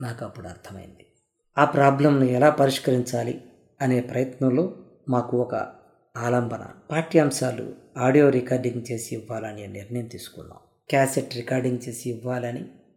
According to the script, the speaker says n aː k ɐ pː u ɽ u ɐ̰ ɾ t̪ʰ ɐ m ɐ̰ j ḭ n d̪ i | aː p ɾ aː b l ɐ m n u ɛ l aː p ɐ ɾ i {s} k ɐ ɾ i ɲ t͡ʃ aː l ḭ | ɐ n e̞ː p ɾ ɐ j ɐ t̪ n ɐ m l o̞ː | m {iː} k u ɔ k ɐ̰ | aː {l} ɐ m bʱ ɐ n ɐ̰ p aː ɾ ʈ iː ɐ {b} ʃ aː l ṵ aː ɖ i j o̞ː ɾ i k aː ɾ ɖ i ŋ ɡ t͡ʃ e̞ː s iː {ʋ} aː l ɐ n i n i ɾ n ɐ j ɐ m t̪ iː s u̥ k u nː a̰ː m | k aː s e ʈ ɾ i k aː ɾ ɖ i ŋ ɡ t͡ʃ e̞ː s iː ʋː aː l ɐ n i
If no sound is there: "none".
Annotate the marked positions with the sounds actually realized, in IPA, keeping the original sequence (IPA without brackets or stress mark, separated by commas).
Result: ʂ, aː, l, m, ʋː